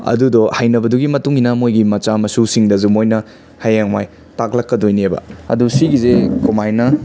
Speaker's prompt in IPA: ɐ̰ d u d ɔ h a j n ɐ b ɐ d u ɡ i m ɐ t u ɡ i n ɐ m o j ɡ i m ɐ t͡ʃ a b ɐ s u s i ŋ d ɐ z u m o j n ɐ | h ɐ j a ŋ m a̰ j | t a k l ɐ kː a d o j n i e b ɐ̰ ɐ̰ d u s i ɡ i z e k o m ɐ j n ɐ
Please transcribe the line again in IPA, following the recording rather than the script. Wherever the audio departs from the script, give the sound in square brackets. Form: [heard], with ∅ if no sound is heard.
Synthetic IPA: ɐ̰ d u d ɔ h a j n ɐ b ɐ d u ɡ i m ɐ t u [ŋ] i n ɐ m o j ɡ i m ɐ t͡ʃ a [m] ɐ s u s i ŋ d ɐ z u m o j n ɐ | h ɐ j a ŋ m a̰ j | t a k l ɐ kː [ɐ] d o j n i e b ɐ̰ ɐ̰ d u s i ɡ i z e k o m [a] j n ɐ